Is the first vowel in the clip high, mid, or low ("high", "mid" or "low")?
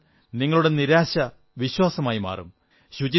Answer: high